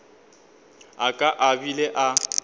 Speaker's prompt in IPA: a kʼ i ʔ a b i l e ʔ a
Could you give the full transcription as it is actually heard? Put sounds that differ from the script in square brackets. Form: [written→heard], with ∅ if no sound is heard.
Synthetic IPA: a kʼ [i→a] ʔ a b i l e ʔ a